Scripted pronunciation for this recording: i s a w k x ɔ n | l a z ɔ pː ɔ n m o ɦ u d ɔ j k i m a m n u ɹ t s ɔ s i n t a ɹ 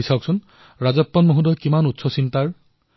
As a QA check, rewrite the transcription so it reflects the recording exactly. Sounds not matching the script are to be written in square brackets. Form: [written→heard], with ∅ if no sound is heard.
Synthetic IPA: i s a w k [x→s] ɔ n | [l→ɹ] a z ɔ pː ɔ n m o ɦ u d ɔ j k i m a [m→∅] n u [ɹ→∅] t s ɔ s i n t a ɹ